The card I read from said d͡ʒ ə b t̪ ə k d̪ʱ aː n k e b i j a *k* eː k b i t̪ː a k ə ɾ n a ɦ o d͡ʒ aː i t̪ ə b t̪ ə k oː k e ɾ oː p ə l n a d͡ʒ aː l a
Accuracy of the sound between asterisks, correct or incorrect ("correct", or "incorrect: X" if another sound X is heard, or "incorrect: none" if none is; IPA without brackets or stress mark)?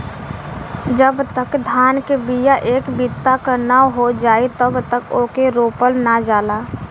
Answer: incorrect: ʔ